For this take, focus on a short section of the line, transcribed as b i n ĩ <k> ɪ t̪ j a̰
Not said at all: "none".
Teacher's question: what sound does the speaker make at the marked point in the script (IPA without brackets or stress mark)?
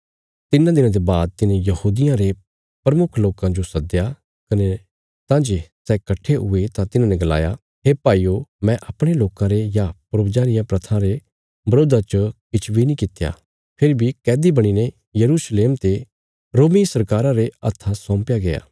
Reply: k